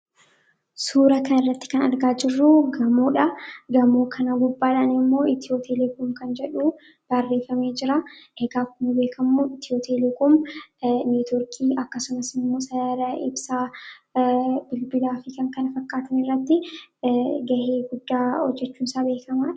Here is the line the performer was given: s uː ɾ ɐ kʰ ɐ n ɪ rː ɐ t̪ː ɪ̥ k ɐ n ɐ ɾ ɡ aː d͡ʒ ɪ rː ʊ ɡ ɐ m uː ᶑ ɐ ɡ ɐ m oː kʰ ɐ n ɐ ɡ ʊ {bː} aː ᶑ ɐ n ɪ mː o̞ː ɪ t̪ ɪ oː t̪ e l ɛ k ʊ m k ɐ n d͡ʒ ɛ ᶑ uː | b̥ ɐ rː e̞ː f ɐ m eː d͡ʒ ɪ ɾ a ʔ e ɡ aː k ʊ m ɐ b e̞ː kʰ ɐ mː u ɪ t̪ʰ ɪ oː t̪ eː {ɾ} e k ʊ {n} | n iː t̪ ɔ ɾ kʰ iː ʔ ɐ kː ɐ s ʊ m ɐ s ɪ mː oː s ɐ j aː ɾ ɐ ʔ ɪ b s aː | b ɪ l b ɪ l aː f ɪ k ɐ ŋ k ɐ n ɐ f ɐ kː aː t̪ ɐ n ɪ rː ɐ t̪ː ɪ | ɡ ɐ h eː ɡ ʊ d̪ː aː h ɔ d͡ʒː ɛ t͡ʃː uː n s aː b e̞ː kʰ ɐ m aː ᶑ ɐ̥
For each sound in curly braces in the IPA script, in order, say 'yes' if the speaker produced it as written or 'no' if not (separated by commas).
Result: yes, no, no